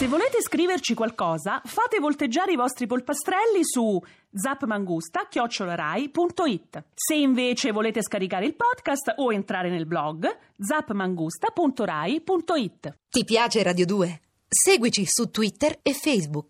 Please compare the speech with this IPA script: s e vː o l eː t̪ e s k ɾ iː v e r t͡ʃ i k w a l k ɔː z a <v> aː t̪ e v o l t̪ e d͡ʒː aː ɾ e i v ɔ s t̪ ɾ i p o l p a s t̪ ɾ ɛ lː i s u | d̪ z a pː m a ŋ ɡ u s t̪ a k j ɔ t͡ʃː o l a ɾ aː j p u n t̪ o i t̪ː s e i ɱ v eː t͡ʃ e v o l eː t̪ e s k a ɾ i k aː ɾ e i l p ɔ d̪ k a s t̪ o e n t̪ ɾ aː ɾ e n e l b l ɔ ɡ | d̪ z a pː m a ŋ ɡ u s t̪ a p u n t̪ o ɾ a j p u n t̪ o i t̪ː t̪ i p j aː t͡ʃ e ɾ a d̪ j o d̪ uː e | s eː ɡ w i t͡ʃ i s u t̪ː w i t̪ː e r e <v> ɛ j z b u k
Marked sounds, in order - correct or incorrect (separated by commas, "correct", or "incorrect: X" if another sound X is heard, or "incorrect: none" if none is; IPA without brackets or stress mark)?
incorrect: f, incorrect: f